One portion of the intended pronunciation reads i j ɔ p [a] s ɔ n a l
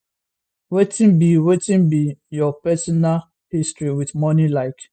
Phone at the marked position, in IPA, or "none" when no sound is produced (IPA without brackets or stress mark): ɛ